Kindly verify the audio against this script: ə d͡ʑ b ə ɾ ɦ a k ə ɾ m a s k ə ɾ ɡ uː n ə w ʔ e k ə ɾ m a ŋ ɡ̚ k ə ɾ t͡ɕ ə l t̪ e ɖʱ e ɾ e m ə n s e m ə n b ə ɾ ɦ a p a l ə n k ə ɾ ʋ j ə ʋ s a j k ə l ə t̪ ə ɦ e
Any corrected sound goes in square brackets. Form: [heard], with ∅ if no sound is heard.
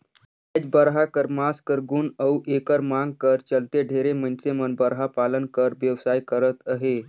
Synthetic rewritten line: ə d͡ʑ b ə ɾ ɦ a k ə ɾ m a s k ə ɾ ɡ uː n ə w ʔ e k ə ɾ m a ŋ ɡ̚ k ə ɾ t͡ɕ ə l t̪ e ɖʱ e ɾ e m ə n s e m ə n b ə ɾ ɦ a p a l ə n k ə ɾ ʋ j ə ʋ s a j k ə [ɾ] ə t̪ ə ɦ e